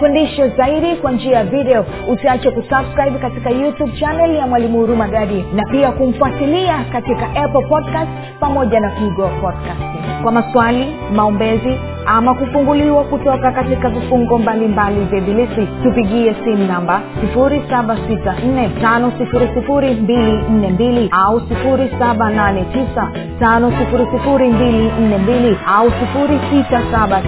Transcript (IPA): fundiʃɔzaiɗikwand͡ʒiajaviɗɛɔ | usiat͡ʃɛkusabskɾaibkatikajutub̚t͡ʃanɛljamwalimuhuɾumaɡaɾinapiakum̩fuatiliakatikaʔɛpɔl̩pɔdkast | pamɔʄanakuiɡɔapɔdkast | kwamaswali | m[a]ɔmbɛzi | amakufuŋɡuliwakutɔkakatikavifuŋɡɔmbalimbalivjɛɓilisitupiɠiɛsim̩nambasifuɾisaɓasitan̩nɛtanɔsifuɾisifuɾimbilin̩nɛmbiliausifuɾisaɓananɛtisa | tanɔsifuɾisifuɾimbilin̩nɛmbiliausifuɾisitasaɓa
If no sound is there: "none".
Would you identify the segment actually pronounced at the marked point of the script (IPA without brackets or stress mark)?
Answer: a